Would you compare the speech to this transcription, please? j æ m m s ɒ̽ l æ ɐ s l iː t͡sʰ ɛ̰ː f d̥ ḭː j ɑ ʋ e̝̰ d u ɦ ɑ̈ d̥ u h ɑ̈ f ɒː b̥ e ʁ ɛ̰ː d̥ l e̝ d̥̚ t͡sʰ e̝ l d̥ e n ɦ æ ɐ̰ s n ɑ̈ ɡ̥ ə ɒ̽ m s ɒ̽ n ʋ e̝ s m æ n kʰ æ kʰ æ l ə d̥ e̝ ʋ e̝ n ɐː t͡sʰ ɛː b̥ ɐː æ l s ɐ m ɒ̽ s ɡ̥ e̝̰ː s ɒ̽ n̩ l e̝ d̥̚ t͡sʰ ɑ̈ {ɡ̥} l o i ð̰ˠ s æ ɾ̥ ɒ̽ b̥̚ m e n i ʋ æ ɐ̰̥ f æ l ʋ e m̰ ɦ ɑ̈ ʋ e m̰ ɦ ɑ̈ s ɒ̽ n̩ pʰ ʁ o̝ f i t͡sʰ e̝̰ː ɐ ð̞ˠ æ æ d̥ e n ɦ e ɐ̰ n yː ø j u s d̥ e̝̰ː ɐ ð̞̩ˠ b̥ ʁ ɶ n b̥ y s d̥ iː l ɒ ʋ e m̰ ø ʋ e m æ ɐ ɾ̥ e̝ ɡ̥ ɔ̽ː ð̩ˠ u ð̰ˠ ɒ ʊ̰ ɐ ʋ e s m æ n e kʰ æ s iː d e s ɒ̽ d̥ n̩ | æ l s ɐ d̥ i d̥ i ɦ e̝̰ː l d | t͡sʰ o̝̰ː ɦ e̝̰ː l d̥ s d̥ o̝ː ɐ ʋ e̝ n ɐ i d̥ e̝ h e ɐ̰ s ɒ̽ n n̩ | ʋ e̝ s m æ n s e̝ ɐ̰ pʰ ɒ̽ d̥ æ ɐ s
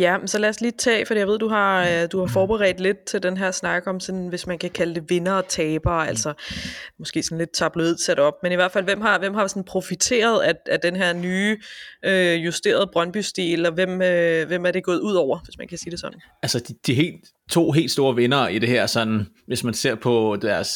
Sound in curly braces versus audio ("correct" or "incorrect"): incorrect